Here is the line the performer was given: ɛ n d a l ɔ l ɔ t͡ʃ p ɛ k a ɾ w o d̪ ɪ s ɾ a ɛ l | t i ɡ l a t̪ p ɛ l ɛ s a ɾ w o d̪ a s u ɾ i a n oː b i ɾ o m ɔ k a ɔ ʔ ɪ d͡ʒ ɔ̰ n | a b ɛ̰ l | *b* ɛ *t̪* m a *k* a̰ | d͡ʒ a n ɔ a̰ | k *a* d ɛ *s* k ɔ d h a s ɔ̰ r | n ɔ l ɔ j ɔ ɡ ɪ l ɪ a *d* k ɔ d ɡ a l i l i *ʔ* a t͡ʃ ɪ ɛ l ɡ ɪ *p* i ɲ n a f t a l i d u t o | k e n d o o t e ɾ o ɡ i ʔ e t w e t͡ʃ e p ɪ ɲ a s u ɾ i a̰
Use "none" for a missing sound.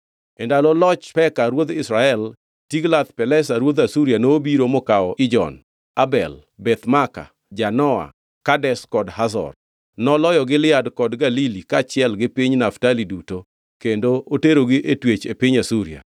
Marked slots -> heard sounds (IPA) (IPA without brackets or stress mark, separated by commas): b, t̪, k, a, s, d, k, p